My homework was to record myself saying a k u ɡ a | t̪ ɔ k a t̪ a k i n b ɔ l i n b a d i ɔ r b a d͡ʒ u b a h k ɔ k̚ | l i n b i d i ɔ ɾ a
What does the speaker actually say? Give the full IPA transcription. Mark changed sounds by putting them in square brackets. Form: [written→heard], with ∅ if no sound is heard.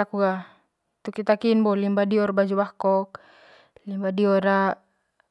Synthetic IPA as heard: a k u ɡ a | t̪ [ɔ→u] k [a→i] t̪ a k i n b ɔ l i [n→m] b a d i ɔ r b a d͡ʒ u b a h k ɔ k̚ | l i [n→m] b [i→a] d i ɔ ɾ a